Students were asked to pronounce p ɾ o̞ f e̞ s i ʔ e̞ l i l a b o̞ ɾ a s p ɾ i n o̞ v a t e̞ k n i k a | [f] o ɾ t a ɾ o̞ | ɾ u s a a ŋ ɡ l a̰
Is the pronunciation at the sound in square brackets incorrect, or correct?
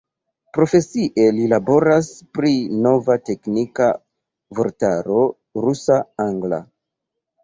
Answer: incorrect